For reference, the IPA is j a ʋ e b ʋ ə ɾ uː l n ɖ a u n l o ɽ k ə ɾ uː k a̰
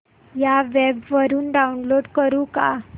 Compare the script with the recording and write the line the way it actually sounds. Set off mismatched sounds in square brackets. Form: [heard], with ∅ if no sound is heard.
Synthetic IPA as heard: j a ʋ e b ʋ ə ɾ uː [∅] n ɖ a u n l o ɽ k ə ɾ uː k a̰